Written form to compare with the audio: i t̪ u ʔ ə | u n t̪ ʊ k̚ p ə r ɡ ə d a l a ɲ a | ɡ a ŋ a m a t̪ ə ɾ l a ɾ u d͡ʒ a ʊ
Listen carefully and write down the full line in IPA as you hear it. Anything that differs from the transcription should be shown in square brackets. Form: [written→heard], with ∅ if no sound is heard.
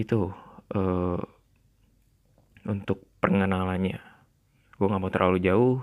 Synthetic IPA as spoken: i t̪ u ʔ ə | u n t̪ ʊ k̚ p ə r [ɡ→ŋ] ə [d→n] a l a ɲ a | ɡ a ŋ a m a t̪ ə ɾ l a [ɾ→l] u d͡ʒ a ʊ